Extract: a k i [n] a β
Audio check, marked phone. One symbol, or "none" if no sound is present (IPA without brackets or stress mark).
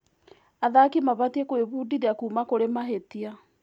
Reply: m